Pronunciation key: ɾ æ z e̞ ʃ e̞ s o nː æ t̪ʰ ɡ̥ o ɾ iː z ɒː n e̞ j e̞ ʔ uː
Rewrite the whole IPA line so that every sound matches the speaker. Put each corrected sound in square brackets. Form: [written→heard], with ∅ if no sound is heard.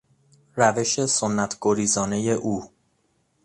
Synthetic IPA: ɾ æ [z→v] e̞ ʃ e̞ s o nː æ t̪ʰ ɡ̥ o ɾ iː z ɒː n e̞ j e̞ ʔ uː